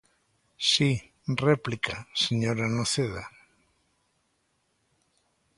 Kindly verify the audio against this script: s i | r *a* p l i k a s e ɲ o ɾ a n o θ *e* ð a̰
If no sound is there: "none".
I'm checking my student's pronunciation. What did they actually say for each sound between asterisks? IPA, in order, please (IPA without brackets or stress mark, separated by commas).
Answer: e, e